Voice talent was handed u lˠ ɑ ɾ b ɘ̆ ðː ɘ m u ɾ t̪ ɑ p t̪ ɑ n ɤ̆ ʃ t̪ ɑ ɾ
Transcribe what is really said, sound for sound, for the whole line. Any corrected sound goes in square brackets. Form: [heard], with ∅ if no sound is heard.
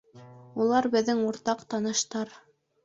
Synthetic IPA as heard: u lˠ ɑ ɾ b ɘ̆ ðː ɘ [ŋ] u ɾ t̪ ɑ [q] t̪ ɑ n ɤ̆ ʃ t̪ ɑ ɾ